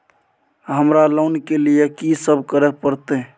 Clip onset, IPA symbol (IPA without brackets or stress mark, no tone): ɦ